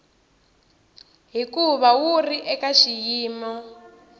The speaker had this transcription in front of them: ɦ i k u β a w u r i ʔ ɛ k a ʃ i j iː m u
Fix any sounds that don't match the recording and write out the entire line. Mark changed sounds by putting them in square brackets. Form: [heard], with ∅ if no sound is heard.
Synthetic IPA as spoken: ɦ i k u β a w u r i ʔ ɛ k a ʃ i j iː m [ɔ]